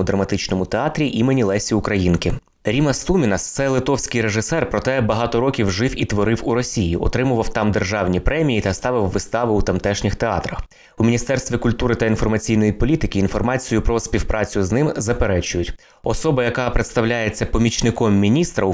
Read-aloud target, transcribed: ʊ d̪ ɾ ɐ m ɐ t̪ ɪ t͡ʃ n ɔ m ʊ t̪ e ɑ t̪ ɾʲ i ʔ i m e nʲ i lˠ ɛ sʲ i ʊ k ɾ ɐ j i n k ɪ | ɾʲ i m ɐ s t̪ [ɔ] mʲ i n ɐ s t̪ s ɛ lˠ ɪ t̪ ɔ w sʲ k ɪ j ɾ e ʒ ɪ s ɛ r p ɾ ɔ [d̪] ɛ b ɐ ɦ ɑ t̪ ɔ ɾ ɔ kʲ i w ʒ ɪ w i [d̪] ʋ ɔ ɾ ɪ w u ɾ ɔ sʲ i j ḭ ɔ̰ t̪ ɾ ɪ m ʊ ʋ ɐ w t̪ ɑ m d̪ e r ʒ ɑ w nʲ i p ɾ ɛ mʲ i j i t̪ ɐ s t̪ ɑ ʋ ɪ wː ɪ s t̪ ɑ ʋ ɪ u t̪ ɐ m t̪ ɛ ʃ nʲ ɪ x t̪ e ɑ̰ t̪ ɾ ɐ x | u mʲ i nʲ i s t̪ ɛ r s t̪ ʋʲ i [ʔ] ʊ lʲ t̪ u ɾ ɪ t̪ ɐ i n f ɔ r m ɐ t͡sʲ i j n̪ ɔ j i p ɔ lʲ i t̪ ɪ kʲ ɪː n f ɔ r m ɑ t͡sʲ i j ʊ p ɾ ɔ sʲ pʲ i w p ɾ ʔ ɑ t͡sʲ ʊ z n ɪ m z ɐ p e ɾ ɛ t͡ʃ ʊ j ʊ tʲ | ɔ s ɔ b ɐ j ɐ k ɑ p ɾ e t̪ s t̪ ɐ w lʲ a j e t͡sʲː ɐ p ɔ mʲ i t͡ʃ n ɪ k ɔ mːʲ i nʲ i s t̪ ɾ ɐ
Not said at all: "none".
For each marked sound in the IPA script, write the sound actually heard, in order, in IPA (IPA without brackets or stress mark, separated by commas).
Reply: u, t̪, t̪, k